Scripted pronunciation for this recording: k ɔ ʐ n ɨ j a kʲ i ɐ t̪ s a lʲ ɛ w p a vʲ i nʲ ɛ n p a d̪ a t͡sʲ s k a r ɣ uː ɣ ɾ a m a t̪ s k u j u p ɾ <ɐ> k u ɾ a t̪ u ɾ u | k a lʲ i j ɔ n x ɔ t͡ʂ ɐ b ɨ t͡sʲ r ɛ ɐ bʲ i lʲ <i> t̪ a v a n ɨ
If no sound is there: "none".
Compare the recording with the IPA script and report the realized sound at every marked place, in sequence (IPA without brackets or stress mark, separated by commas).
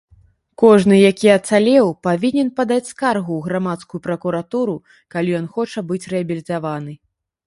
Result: ɐ, i